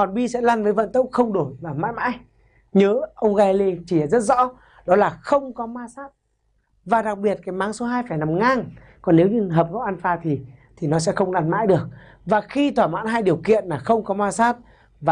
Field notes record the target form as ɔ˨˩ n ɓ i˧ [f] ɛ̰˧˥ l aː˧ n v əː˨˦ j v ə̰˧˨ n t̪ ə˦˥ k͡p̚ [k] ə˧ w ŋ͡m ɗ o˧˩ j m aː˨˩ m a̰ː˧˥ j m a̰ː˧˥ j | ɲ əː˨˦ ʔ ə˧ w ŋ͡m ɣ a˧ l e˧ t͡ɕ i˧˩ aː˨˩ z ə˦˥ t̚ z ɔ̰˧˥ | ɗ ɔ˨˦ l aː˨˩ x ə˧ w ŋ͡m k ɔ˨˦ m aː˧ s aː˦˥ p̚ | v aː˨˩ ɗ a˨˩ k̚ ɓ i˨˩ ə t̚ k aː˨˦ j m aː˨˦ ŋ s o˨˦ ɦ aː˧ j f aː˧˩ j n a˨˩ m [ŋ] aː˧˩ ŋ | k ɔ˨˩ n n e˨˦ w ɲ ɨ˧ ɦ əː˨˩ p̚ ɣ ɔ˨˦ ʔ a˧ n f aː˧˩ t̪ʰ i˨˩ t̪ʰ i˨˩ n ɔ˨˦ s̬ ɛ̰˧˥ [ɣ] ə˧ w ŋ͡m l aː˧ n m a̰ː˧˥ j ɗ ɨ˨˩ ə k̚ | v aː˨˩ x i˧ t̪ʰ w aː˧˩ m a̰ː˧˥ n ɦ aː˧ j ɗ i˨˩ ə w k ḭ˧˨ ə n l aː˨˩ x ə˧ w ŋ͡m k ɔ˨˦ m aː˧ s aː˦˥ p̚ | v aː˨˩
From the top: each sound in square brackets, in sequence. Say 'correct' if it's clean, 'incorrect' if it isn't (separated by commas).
incorrect, incorrect, correct, incorrect